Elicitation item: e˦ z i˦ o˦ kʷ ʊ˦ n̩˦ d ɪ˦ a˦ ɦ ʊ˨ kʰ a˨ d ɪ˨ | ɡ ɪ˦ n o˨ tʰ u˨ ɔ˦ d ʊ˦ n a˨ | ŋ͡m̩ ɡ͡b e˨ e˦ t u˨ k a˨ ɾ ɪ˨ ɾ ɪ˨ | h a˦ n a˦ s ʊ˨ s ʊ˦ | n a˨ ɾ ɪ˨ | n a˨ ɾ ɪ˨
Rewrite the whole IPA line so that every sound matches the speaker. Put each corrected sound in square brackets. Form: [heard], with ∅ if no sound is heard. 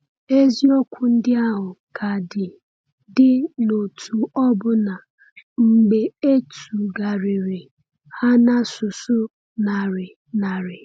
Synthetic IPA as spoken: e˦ z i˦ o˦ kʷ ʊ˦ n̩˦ d ɪ˦ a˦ ɦ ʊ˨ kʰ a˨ d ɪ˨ | [d] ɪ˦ n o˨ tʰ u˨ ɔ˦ [b] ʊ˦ n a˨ | ŋ͡m̩ ɡ͡b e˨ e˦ t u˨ [ɡ] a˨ ɾ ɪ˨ ɾ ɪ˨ | h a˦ n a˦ s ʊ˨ s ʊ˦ | n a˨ ɾ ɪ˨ | n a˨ ɾ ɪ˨